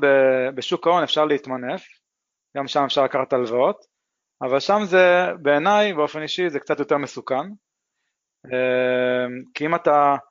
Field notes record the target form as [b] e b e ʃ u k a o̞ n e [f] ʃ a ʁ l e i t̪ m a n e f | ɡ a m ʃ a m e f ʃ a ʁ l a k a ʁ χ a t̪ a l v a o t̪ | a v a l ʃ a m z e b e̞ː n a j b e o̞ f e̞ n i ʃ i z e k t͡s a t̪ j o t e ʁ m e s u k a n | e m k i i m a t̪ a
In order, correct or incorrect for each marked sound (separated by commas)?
correct, correct